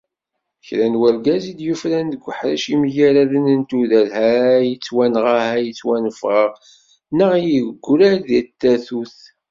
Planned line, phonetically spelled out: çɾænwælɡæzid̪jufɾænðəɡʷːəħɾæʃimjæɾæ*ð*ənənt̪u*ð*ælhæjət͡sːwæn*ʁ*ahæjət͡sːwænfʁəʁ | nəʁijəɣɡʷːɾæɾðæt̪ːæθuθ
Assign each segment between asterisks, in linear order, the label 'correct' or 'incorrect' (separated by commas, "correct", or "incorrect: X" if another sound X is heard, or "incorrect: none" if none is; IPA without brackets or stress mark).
correct, correct, correct